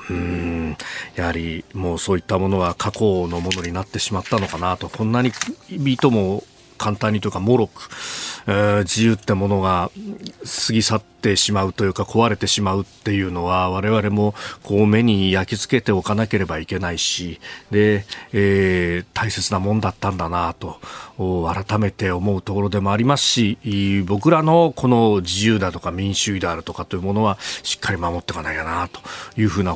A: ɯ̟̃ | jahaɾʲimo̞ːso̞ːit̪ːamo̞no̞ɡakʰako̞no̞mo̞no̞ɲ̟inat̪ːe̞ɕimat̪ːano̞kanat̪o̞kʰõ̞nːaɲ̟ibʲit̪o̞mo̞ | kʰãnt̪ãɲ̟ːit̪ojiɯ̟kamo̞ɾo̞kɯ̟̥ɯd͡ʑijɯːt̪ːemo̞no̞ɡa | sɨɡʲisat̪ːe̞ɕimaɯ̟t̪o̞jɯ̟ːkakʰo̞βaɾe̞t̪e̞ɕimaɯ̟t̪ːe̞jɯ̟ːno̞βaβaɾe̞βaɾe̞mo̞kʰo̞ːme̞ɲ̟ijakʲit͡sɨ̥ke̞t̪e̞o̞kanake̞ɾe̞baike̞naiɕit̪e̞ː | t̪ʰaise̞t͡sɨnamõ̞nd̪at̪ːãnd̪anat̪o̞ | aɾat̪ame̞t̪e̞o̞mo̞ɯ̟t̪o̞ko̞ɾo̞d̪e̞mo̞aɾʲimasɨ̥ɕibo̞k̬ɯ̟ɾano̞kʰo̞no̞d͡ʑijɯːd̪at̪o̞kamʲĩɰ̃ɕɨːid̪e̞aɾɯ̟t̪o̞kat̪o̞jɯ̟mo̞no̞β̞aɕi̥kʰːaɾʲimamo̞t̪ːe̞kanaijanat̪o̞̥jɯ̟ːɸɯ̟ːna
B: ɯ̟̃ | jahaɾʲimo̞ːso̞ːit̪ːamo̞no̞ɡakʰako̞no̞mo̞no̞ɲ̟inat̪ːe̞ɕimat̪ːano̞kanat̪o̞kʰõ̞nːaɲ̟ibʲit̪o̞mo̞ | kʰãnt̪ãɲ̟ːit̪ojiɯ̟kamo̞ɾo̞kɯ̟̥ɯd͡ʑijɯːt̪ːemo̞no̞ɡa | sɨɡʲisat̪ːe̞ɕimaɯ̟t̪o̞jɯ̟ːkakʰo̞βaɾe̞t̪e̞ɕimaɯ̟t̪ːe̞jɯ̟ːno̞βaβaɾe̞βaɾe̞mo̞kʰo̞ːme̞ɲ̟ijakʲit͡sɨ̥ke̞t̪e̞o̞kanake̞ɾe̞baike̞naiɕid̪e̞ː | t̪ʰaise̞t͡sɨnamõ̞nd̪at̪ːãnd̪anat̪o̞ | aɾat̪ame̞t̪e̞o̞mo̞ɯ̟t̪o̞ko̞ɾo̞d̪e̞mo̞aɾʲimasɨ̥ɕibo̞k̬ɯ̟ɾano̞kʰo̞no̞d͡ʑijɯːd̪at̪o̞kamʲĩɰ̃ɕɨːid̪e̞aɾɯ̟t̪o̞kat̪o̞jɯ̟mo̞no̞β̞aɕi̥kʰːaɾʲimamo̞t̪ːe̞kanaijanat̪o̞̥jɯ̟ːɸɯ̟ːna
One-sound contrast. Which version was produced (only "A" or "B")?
B